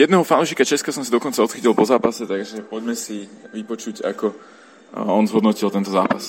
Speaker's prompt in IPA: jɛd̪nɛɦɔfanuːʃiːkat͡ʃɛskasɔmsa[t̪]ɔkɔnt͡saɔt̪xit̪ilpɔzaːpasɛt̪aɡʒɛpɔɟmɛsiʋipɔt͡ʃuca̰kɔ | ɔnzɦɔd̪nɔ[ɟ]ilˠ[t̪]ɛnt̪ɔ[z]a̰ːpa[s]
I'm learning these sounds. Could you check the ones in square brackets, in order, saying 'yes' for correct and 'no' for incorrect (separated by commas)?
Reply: no, no, yes, yes, yes